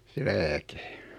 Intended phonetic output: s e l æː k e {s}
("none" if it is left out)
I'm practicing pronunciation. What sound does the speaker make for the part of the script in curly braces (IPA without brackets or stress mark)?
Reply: none